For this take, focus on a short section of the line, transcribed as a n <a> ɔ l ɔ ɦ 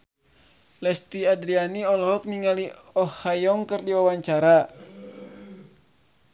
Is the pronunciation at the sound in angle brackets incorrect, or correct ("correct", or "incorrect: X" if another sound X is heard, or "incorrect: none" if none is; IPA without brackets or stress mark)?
incorrect: i